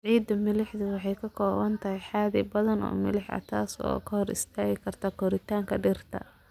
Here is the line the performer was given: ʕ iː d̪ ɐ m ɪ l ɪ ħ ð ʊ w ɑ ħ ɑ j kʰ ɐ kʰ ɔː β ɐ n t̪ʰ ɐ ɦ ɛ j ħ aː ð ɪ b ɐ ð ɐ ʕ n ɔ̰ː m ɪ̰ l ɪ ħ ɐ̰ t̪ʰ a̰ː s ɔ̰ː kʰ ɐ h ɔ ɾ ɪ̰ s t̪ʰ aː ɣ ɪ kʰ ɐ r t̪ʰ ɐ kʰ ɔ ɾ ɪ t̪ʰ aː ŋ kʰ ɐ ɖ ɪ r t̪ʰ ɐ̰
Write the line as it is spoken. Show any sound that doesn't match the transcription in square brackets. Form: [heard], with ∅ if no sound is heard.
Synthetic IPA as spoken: ʕ iː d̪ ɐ m ɪ l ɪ ħ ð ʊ w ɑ ħ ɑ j kʰ ɐ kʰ ɔː β ɐ n t̪ʰ ɐ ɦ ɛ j ħ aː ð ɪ b ɐ ð ɐ [∅] n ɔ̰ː m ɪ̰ l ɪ ħ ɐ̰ t̪ʰ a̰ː s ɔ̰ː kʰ ɐ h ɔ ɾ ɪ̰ s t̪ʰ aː ɣ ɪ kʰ ɐ r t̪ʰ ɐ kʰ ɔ ɾ ɪ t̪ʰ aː ŋ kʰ ɐ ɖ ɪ r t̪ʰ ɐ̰